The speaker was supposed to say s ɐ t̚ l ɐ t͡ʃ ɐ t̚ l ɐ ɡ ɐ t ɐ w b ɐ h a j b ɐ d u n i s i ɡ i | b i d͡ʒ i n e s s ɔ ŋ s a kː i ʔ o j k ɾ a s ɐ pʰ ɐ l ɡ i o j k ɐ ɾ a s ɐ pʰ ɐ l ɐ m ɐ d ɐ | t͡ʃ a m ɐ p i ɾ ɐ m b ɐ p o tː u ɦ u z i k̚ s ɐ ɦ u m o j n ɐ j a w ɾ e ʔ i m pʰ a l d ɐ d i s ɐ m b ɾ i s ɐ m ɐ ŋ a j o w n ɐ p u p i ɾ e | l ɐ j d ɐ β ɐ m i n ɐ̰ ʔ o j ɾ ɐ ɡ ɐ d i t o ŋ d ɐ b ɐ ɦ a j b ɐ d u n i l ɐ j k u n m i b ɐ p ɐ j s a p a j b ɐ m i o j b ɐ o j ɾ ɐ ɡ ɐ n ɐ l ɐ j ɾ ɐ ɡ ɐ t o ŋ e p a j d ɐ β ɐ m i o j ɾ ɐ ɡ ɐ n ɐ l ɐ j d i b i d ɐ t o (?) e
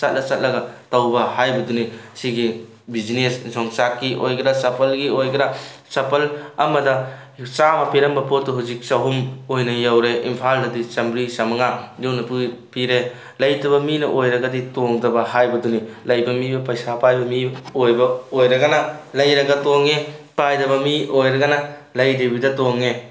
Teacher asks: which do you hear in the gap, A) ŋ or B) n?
A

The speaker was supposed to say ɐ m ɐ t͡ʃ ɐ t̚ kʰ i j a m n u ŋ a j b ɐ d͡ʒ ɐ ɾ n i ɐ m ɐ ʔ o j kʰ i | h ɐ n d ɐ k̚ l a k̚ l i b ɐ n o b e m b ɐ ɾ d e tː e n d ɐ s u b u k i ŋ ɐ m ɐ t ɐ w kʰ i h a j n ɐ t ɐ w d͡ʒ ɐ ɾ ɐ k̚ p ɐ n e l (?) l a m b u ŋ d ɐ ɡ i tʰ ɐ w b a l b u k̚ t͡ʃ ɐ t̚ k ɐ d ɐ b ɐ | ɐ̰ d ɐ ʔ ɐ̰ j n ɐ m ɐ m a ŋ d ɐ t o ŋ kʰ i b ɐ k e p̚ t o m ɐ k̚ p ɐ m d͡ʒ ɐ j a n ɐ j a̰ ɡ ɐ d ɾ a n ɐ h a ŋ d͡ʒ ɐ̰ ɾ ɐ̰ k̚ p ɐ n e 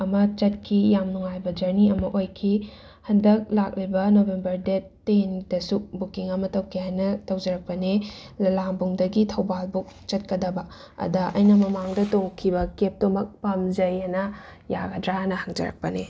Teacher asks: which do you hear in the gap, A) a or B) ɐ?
B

